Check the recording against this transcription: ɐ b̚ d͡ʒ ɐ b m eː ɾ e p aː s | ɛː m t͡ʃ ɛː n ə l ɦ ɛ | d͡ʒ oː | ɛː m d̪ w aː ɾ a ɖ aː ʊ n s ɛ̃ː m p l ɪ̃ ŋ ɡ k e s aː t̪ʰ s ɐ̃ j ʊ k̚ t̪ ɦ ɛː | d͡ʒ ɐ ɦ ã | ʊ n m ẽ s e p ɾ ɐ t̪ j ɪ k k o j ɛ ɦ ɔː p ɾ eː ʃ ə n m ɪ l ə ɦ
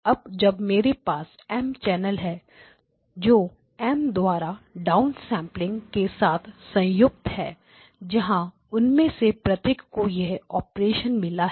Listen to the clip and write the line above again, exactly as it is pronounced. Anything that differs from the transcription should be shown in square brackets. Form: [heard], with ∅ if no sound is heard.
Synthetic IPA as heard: ɐ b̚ d͡ʒ ɐ b m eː ɾ e p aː s | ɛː m t͡ʃ ɛː n ə l ɦ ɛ | d͡ʒ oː | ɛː m d̪ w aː ɾ a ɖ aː ʊ n s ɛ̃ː m p l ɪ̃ ŋ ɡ k e s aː t̪ʰ s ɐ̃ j ʊ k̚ t̪ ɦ ɛː | d͡ʒ ɐ ɦ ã | ʊ n m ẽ s e p ɾ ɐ t̪ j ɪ k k o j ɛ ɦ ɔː p ɾ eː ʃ ə n m ɪ l [a] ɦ